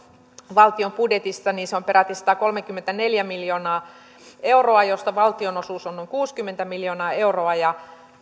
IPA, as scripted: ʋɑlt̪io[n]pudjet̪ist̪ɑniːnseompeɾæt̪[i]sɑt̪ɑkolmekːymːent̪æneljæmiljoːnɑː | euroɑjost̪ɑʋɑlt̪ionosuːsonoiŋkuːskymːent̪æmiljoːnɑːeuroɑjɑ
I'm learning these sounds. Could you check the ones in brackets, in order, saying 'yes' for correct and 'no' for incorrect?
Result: no, yes

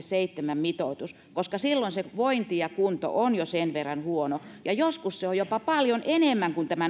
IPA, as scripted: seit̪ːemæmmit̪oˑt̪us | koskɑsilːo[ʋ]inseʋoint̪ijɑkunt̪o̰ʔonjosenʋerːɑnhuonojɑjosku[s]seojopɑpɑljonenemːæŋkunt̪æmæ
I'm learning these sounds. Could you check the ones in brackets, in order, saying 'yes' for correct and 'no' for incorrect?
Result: no, yes

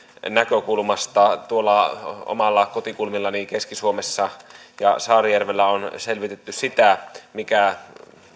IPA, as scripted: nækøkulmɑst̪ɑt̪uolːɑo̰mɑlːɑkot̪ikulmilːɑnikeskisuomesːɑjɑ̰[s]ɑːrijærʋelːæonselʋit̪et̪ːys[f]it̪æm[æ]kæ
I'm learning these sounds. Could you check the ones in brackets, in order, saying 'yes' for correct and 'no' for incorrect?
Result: yes, no, no

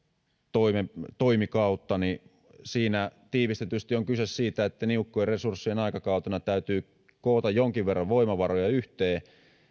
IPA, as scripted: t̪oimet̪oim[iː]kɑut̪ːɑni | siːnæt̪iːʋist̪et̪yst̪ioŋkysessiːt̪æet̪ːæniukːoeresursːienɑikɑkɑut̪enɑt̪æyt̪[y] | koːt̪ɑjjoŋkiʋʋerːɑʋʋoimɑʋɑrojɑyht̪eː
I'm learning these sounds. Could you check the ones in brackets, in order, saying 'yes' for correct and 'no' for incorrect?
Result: no, no

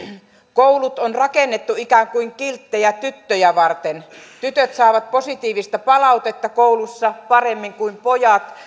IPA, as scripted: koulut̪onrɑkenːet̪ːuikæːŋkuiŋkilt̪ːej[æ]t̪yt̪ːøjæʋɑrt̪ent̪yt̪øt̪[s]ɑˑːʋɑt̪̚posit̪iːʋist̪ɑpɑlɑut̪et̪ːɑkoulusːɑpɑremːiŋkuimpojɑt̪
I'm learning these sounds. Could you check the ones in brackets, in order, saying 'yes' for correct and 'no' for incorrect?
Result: yes, yes

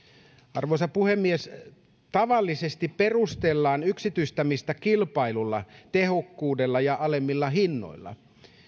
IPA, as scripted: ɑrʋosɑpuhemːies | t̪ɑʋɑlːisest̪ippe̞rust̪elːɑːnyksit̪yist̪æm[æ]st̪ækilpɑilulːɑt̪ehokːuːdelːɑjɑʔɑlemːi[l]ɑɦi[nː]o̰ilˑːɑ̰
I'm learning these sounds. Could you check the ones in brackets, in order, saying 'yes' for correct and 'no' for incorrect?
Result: no, no, yes

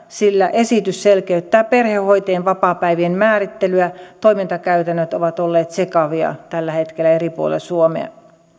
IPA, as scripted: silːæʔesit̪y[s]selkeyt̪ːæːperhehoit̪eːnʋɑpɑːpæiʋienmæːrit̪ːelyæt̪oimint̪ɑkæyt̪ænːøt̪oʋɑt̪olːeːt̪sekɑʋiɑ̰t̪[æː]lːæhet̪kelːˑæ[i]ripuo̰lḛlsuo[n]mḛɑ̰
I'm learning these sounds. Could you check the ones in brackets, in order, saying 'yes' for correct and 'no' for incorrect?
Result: yes, no, no, no

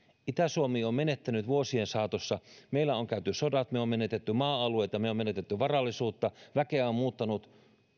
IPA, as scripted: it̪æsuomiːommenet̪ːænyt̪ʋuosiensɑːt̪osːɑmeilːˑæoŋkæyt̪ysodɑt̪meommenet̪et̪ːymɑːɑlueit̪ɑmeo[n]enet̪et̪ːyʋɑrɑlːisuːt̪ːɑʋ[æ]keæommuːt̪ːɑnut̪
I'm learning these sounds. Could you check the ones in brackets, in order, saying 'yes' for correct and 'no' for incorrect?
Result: no, yes

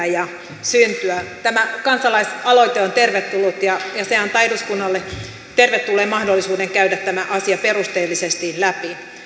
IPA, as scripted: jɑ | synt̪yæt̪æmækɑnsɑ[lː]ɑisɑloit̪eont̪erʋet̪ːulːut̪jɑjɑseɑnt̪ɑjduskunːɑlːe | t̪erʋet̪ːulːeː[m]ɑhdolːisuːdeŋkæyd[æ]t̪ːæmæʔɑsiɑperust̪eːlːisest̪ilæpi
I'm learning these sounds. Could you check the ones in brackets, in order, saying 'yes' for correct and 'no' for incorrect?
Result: no, yes, yes

